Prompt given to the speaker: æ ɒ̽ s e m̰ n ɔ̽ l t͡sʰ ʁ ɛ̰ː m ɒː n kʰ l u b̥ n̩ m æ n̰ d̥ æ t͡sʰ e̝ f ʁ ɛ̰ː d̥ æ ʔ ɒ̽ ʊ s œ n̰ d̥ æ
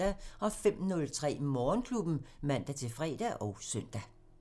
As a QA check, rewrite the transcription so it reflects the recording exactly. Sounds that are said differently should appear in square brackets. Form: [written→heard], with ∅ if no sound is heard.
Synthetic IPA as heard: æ ɒ̽ [s→f] e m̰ n ɔ̽ l t͡sʰ ʁ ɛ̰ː m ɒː n kʰ l u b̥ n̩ m æ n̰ d̥ æ t͡sʰ e̝ f ʁ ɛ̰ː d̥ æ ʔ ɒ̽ ʊ s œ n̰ d̥ æ